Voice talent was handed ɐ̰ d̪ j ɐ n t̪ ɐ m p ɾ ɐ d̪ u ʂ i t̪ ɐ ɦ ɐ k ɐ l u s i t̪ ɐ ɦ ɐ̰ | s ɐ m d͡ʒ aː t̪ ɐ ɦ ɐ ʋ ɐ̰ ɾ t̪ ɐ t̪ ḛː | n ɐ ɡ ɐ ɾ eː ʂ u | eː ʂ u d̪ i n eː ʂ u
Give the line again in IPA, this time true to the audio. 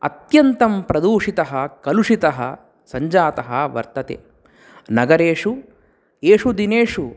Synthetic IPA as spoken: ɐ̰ t̪ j ɐ n t̪ ɐ m p ɾ ɐ d̪ uː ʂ i t̪ ɐ ɦ ɐ k ɐ l u ʂ i t̪ ɐ ɦ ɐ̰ | s ɐ ɲ d͡ʒ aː t̪ ɐ ɦ ɐ ʋ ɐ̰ ɾ t̪ ɐ t̪ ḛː | n ɐ ɡ ɐ ɾ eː ʂ u | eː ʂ u d̪ i n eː ʂ u

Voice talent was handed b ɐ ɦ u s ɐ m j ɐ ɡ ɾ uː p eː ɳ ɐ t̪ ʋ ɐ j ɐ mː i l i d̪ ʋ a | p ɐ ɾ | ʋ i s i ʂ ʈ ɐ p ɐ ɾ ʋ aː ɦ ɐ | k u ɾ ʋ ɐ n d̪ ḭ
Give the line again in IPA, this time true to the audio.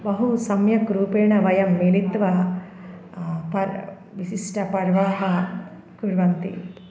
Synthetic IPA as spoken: b ɐ ɦ u s ɐ m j ɐ k ɾ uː p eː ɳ ɐ ʋ ɐ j ɐ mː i l i t̪ ʋ ɐ | p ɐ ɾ | ʋ i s i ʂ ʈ ɐ p ɐ ɾ ʋ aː ɦ ɐ | k u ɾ ʋ ɐ n t̪ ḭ

